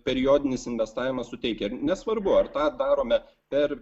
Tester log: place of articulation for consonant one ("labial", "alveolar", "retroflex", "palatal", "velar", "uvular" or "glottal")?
labial